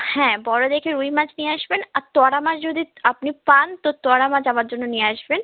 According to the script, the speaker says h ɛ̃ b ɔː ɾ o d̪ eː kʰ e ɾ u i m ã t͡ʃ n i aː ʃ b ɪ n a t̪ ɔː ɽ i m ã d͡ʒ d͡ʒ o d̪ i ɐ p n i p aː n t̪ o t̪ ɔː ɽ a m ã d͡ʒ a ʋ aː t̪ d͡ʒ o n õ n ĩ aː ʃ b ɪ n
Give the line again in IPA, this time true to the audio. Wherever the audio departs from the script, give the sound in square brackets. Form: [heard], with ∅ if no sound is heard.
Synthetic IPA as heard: h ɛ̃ b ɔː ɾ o d̪ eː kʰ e ɾ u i m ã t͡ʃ n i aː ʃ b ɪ n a t̪ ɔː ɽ [a] m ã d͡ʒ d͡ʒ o d̪ i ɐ p n i p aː n t̪ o t̪ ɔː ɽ a m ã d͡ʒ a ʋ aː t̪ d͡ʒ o n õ n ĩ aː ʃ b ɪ n